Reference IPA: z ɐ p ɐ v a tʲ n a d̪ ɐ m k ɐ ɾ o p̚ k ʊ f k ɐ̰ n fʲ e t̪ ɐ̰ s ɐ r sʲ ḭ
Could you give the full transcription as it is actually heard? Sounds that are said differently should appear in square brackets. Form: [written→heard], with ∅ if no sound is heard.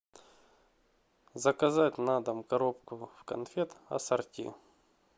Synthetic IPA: z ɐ [p→k] ɐ [v→z] a tʲ n a d̪ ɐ m k ɐ ɾ o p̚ k ʊ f k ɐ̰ n fʲ e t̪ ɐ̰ s ɐ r [sʲ→tʲ] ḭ